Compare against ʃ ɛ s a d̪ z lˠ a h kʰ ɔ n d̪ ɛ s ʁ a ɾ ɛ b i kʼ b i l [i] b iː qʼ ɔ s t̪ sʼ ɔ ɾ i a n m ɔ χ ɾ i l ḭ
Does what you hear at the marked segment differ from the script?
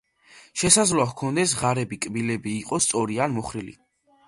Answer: yes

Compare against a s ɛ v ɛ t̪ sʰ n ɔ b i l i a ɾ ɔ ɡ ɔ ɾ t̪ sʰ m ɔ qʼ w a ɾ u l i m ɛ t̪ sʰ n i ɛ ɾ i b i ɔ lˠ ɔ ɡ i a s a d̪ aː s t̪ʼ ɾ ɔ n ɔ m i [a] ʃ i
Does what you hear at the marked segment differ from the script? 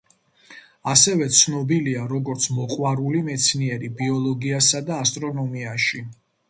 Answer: no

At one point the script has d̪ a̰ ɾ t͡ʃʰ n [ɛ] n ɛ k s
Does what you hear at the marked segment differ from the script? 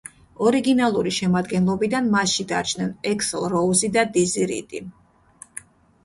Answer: no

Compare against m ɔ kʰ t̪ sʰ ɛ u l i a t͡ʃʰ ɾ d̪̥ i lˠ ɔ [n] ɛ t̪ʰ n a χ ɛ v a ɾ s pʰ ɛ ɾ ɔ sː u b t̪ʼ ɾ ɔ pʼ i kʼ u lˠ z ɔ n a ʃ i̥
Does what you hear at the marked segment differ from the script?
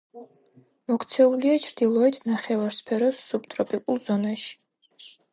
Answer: yes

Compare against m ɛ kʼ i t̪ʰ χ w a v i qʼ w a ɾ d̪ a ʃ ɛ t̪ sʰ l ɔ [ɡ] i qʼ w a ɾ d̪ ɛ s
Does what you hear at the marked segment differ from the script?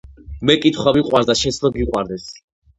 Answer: no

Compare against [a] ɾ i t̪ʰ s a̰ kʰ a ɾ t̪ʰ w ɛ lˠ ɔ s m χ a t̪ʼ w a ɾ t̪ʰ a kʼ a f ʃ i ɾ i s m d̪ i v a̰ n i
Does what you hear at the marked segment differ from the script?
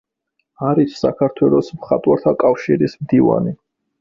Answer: no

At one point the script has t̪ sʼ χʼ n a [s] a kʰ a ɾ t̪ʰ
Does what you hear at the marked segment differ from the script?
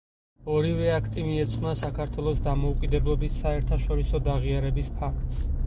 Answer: no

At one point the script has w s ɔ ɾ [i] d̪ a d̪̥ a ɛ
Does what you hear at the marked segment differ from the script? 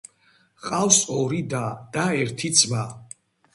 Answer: no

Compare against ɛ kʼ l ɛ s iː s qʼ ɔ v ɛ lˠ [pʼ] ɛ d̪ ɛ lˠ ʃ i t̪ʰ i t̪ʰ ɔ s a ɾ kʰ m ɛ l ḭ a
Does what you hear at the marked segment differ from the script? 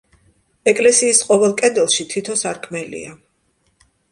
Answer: yes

